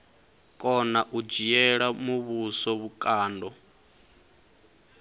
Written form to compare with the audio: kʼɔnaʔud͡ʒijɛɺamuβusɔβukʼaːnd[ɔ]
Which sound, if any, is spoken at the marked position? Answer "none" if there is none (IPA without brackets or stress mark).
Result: ɔ